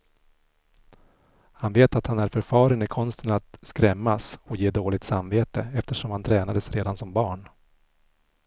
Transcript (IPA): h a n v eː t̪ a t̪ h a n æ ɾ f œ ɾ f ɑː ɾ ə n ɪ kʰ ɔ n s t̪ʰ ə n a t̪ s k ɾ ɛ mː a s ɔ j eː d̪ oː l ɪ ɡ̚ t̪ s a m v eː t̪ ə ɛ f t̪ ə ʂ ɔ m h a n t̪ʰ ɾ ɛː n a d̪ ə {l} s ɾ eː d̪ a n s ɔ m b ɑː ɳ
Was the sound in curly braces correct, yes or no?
no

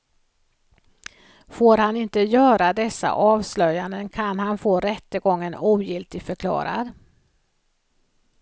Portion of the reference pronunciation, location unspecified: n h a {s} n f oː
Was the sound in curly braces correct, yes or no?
no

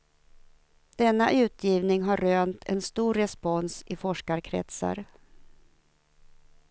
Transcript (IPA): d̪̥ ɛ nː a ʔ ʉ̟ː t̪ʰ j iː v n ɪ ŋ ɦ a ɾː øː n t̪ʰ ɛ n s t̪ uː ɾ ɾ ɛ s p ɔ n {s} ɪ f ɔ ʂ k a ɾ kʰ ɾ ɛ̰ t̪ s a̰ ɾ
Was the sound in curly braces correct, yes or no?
yes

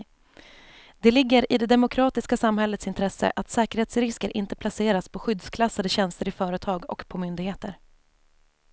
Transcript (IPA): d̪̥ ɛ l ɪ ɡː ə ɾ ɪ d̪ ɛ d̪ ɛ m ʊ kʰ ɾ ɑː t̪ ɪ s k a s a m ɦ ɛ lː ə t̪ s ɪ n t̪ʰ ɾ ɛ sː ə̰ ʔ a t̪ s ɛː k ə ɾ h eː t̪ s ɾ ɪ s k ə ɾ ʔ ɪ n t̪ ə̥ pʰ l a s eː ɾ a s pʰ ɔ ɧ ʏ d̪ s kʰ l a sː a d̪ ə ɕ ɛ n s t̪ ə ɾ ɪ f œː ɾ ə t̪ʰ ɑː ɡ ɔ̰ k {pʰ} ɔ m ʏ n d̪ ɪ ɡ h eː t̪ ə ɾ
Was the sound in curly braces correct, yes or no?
yes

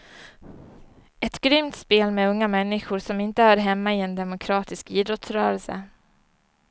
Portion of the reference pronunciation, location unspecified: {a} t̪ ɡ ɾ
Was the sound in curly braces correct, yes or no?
no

